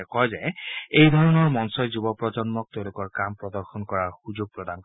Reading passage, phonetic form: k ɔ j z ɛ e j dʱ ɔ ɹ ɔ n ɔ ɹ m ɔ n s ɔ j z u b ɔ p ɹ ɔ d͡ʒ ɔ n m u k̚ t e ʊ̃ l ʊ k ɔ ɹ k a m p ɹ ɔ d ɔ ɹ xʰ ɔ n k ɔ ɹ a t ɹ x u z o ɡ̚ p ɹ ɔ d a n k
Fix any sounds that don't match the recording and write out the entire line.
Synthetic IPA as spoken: k ɔ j z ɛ e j dʱ ɔ ɹ ɔ n ɔ ɹ m ɔ n s ɔ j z u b ɔ p ɹ ɔ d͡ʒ ɔ n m ɔ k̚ t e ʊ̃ l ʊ k ɔ ɹ k a m p ɹ ɔ d ɔ ɹ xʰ ɔ n k ɔ ɹ a ɹ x u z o ɡ̚ p ɹ ɔ d a n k